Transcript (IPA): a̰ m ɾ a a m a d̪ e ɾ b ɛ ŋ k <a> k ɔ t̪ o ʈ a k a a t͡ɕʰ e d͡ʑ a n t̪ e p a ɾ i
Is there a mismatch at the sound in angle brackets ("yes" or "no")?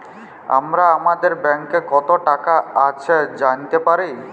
yes